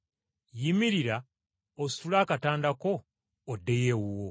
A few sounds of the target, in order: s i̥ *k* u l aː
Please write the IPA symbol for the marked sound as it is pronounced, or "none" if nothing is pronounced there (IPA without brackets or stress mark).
t